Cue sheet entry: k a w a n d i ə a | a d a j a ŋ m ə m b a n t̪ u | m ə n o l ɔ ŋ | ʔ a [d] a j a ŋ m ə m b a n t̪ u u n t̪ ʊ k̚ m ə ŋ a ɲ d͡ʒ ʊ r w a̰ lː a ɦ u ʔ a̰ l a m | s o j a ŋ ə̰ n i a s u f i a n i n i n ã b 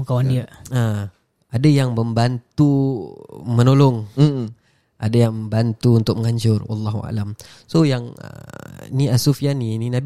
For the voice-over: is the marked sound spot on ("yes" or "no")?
yes